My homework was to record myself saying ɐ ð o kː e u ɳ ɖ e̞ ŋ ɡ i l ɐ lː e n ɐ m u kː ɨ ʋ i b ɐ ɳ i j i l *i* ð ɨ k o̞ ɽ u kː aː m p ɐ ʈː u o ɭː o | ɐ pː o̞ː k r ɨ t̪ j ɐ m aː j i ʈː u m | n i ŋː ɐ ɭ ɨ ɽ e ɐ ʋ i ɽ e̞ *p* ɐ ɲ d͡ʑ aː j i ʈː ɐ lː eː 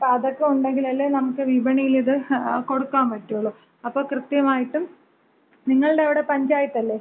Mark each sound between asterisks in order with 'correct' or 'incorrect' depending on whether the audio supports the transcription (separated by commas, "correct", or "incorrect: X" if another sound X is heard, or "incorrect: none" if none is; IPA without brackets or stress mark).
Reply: correct, correct